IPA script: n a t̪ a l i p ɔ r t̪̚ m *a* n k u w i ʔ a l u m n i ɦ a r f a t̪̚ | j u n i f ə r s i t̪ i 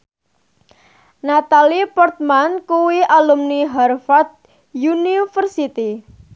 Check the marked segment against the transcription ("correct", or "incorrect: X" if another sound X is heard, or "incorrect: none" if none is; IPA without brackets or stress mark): correct